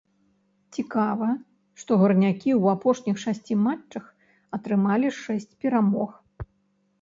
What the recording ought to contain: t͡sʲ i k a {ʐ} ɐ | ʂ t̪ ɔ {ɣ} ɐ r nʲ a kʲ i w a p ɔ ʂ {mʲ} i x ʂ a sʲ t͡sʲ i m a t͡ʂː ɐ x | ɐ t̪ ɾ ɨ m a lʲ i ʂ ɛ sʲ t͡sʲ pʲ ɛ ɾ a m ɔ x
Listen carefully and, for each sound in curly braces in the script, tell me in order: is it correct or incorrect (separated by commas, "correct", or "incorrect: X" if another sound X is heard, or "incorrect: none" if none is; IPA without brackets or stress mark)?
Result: incorrect: v, correct, incorrect: nʲ